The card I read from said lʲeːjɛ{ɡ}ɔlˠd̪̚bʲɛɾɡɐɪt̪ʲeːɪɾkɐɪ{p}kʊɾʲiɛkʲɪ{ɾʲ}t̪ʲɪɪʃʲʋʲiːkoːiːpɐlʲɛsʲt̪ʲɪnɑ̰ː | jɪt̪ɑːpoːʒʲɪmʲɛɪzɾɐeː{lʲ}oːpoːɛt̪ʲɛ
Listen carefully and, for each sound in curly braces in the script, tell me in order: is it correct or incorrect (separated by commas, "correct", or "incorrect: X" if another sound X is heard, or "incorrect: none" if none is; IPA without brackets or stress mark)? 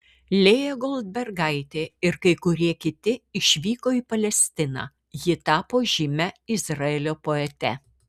correct, incorrect: none, incorrect: none, correct